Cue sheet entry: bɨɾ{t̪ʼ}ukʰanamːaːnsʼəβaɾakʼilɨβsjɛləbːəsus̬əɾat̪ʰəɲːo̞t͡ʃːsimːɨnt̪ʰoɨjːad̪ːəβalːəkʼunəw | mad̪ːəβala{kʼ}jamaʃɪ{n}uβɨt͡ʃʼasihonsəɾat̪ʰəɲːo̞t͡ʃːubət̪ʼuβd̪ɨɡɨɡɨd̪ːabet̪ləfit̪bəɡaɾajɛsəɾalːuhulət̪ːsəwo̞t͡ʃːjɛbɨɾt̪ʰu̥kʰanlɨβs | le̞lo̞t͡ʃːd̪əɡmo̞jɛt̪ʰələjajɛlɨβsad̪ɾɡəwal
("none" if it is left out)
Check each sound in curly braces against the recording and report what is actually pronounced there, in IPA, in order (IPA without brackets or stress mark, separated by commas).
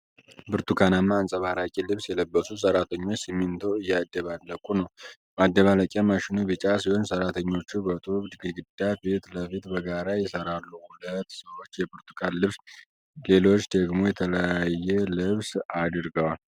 t̪, kʼ, n